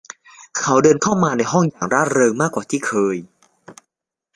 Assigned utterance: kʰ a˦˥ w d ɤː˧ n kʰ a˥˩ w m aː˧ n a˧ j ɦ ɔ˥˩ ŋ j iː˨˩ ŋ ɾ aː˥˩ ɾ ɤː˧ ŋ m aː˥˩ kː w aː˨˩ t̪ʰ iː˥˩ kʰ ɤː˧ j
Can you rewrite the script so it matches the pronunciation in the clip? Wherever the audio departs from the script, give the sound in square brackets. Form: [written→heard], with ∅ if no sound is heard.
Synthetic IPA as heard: kʰ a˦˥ w d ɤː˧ n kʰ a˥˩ w m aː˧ n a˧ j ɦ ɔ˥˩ ŋ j [iː˨˩→aː˨˩] ŋ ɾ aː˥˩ ɾ ɤː˧ ŋ m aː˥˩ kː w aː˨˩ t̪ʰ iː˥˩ kʰ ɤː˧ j